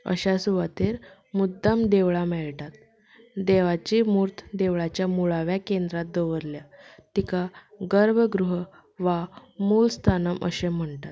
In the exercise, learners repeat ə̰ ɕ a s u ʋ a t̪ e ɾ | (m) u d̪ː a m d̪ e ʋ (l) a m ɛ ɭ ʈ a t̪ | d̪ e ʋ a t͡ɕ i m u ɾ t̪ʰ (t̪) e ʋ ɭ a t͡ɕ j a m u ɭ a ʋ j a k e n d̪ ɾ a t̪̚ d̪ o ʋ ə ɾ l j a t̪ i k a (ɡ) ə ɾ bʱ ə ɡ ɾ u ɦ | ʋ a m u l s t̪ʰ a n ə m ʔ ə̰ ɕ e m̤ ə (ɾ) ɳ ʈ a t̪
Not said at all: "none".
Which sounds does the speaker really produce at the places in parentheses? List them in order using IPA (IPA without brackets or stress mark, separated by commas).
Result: m, ɭ, d̪, ɡ, none